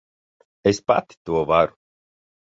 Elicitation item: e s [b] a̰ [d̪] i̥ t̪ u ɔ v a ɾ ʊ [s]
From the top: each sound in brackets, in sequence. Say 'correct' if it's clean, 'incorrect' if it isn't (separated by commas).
incorrect, incorrect, incorrect